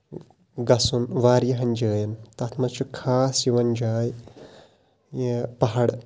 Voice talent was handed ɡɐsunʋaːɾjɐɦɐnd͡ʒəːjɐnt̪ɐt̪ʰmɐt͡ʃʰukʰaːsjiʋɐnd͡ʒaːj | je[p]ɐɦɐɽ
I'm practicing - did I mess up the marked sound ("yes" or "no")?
no